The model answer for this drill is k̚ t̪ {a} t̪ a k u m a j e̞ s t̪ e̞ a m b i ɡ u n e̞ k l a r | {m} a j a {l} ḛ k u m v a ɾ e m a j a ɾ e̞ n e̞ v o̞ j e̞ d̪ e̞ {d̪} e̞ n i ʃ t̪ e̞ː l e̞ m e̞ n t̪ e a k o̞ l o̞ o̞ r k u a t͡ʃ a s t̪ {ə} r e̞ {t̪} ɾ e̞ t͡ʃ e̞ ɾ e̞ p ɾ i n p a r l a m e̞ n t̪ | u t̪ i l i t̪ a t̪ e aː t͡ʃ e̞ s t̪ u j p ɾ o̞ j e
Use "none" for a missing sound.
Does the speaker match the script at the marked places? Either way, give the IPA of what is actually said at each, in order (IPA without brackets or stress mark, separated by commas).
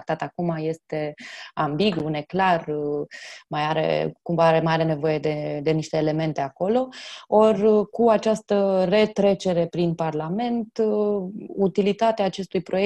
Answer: a, m, ɾ, d̪, ə, t̪